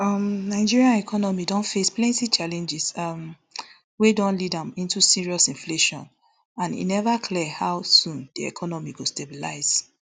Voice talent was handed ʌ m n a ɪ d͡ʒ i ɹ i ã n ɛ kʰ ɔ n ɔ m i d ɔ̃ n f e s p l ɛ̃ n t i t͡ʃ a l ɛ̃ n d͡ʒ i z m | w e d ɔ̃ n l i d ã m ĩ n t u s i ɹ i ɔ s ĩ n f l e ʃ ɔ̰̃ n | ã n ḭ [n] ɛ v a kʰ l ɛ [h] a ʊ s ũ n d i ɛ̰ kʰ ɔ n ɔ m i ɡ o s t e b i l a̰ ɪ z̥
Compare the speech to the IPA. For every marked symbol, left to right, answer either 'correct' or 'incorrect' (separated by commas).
correct, correct